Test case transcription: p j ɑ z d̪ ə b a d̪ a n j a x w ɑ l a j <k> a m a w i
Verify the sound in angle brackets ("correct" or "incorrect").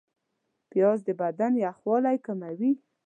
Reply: correct